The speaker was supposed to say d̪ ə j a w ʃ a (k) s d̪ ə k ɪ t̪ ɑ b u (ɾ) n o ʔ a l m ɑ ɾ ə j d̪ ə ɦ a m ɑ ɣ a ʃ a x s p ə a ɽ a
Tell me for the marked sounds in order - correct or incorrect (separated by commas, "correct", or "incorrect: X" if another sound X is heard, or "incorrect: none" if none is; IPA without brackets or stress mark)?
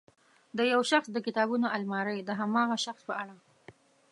incorrect: x, incorrect: none